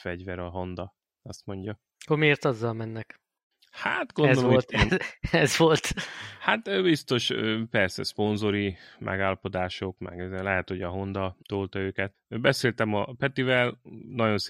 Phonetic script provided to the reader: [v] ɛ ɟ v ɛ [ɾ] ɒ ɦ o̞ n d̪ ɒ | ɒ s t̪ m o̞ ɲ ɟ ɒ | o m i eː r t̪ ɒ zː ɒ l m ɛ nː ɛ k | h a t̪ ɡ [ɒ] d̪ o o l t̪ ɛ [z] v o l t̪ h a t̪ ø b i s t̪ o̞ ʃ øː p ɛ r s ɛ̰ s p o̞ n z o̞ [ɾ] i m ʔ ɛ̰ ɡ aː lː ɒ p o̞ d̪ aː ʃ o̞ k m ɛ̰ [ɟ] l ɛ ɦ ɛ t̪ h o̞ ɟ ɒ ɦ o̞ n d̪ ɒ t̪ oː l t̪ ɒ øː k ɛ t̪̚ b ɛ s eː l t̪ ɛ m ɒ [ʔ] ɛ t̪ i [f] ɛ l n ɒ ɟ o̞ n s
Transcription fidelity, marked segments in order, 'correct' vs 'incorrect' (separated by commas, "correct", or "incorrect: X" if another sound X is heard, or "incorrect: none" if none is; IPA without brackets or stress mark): incorrect: f, correct, incorrect: o, correct, correct, incorrect: ɡ, incorrect: p, incorrect: v